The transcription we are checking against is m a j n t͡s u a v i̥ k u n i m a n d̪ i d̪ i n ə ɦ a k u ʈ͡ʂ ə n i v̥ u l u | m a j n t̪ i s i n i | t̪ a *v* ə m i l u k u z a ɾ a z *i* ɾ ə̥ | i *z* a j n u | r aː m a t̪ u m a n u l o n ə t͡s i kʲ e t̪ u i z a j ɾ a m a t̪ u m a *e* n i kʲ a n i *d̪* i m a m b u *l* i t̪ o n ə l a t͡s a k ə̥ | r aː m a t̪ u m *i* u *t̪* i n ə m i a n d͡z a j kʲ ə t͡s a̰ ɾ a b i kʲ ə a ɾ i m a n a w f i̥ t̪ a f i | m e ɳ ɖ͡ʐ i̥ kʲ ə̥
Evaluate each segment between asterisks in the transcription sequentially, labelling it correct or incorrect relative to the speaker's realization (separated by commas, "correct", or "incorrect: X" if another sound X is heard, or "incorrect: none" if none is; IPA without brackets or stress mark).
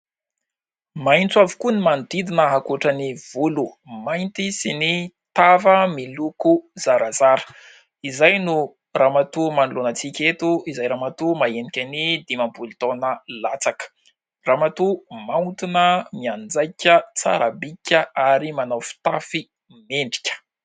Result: correct, incorrect: a, correct, correct, correct, correct, incorrect: a, correct